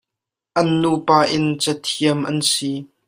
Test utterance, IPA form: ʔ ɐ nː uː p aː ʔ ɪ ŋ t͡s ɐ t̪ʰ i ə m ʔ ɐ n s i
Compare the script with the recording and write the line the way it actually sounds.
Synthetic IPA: ʔ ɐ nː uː p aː ʔ ɪ n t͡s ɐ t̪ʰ i ə m ʔ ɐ n s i

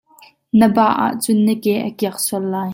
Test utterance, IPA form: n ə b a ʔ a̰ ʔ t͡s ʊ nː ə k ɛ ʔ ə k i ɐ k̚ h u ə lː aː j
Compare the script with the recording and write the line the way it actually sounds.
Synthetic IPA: n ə b a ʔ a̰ ʔ t͡s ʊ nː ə k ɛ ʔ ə k i ɐ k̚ s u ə lː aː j

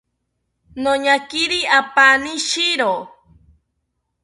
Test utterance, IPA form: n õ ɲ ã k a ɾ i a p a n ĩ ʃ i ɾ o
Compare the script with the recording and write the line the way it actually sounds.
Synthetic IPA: n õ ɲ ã k i ɾ i a p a n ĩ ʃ i ɾ o

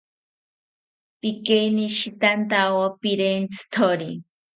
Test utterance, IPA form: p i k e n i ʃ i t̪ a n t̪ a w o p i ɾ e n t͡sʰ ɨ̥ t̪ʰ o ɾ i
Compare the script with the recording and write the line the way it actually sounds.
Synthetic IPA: p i k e n i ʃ i t̪ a n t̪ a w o p i ɾ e n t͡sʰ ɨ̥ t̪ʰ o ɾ i

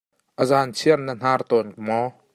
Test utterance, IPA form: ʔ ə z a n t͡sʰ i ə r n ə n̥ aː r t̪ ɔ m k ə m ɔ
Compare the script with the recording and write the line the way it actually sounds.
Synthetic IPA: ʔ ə z a n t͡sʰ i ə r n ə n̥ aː r t̪ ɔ n k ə m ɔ

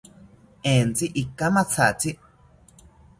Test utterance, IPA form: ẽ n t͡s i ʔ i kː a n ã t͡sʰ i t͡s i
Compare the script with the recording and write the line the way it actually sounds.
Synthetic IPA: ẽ n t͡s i ʔ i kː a m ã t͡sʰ a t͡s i

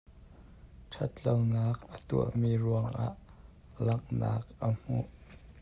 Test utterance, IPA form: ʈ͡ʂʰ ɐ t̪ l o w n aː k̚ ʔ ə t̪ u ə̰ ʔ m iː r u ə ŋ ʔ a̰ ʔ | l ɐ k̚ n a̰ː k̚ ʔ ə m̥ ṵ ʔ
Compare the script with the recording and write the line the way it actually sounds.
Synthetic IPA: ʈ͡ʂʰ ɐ t̪ l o w n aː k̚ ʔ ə t̪ u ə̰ ʔ m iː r u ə ŋ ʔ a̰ ʔ | l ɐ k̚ n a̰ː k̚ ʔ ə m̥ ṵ ʔ

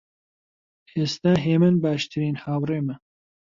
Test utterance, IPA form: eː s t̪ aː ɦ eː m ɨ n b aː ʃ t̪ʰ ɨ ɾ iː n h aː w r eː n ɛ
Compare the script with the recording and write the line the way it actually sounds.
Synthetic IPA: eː s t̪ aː ɦ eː m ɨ n b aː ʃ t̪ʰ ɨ ɾ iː n h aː w r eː m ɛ

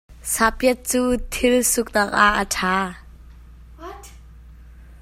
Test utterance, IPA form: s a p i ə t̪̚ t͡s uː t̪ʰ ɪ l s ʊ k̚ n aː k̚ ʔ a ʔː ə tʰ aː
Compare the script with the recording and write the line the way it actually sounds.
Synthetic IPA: s a p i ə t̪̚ t͡s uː t̪ʰ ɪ l s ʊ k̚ n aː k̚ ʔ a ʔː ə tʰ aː

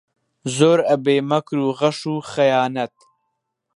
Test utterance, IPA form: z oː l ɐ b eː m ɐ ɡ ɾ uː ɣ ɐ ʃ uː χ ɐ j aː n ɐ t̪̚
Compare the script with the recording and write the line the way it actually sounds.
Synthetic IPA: z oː ɾ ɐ b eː m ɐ k ɾ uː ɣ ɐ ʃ uː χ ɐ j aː n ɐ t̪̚

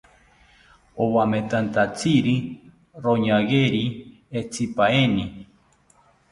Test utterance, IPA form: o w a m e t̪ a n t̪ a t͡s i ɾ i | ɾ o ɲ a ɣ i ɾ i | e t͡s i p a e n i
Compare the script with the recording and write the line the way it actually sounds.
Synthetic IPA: o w a m e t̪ a n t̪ a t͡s i ɾ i | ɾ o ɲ a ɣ e ɾ i | e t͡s i p a e n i

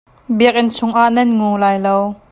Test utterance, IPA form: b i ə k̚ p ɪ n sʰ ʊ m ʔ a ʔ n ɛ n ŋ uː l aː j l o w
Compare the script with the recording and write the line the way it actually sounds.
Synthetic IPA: b i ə k̚ ʔ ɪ n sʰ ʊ ŋ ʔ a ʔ n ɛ n ŋ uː l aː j l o w

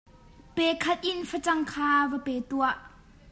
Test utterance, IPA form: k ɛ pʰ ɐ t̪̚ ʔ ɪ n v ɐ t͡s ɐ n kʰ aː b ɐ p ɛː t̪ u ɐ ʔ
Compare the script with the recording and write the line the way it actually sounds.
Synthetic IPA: p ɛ kʰ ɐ t̪̚ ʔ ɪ n f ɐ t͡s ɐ ŋ kʰ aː v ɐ p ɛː t̪ u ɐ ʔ

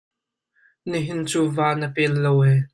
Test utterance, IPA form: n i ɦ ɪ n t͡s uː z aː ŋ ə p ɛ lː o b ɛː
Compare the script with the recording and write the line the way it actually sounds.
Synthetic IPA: n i ɦ ɪ n t͡s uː v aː n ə p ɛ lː o w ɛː

